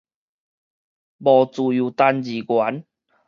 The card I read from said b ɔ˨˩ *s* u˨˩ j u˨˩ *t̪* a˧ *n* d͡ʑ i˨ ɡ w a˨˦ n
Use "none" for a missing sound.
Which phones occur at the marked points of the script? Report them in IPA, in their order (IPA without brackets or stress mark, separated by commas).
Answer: t͡s, t̪, n